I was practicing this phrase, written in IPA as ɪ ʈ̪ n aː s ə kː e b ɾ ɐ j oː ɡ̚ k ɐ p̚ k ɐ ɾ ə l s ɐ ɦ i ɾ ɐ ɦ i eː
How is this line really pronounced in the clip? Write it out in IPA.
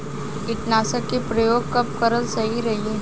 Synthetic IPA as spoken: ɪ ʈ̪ n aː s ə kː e p ɾ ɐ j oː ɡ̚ k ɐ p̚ k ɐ ɾ ə l s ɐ ɦ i ɾ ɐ ɦ i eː